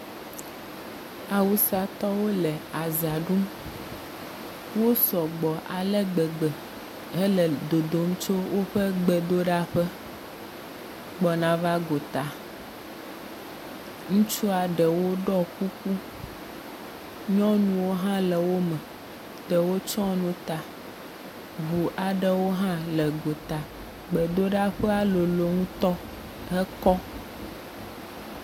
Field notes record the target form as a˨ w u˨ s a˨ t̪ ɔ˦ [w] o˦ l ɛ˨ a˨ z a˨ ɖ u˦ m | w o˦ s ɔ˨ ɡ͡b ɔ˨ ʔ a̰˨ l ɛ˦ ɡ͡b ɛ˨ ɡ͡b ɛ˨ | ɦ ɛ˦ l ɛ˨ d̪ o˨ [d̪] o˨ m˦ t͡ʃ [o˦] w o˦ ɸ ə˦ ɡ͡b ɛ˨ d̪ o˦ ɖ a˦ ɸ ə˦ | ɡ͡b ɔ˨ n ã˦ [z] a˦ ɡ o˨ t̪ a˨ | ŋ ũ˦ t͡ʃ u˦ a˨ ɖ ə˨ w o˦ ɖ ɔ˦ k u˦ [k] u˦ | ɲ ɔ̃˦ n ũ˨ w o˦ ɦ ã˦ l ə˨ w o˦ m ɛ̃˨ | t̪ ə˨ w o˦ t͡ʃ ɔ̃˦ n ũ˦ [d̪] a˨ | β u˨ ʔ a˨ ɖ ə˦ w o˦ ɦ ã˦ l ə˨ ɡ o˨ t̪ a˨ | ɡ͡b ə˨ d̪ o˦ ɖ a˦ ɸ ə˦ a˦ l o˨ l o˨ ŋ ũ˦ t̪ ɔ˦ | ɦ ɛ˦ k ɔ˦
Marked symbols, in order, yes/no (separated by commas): yes, yes, yes, no, yes, no